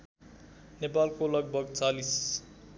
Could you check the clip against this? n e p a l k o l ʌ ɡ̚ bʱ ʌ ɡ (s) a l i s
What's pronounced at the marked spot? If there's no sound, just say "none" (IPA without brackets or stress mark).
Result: t͡s